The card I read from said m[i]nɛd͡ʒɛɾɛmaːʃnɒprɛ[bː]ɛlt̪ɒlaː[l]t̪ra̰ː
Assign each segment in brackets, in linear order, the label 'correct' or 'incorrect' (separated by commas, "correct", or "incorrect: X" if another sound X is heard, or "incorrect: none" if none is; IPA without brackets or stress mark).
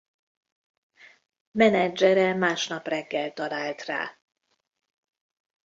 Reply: incorrect: ɛ, incorrect: ɡː, correct